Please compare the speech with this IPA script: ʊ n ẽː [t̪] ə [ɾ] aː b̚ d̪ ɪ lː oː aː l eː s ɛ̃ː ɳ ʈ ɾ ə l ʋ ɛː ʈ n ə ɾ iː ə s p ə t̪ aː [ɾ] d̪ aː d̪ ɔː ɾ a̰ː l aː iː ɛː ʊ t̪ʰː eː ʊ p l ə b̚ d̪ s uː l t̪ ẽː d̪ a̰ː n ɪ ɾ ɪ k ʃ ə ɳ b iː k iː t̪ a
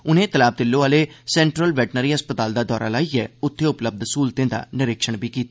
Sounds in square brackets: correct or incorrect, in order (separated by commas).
correct, incorrect, incorrect